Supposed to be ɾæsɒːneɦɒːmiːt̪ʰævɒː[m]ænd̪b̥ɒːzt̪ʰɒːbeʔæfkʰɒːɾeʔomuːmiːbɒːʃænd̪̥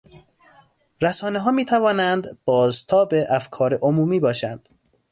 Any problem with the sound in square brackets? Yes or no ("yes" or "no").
yes